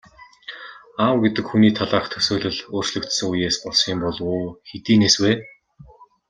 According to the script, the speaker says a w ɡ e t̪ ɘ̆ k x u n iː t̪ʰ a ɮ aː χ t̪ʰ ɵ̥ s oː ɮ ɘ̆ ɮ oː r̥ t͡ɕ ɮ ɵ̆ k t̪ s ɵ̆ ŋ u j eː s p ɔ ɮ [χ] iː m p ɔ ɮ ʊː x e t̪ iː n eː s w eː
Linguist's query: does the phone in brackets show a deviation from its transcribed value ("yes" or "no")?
yes